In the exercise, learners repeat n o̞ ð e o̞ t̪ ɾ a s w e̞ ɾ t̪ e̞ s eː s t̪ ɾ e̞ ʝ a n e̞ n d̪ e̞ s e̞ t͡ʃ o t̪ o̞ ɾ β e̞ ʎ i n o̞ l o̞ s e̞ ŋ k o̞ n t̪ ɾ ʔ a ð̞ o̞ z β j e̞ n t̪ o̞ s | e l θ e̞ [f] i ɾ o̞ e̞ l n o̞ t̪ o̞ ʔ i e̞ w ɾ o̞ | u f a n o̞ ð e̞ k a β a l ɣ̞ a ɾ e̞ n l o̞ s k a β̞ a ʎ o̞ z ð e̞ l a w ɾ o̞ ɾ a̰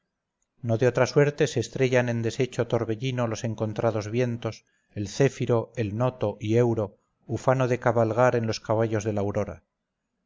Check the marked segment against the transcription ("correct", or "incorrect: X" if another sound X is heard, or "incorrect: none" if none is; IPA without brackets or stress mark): correct